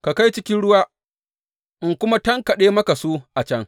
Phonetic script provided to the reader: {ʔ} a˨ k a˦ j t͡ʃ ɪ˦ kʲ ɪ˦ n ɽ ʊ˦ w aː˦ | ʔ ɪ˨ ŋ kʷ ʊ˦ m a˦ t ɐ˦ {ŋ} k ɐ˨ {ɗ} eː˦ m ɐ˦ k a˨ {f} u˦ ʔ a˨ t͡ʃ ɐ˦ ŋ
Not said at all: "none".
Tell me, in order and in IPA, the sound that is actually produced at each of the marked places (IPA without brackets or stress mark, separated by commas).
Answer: k, ŋ, ɗ, s